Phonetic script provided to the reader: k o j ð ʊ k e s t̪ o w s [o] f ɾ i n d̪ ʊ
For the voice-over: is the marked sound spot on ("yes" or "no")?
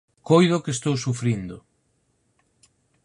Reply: no